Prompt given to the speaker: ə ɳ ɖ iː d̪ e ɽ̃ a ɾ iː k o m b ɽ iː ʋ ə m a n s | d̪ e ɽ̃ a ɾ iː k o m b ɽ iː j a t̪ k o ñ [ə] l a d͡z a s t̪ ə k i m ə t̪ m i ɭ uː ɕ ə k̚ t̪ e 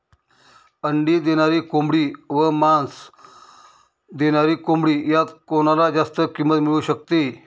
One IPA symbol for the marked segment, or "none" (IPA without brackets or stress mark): a